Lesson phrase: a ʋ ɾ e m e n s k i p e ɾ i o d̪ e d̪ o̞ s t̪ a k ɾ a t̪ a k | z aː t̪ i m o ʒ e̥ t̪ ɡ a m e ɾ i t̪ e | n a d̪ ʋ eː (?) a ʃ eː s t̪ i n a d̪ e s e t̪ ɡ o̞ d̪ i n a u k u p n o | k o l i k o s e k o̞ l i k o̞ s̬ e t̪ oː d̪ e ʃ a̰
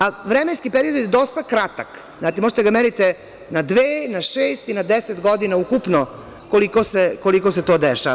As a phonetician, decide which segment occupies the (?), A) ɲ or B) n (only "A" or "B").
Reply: B